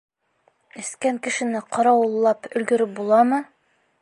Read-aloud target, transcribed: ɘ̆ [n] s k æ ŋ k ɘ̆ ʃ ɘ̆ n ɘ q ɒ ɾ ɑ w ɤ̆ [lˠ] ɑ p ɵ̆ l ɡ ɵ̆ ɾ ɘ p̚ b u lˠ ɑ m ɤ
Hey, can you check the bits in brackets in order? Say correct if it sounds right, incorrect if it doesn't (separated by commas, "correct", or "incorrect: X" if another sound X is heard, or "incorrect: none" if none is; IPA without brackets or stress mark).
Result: incorrect: none, incorrect: lˠː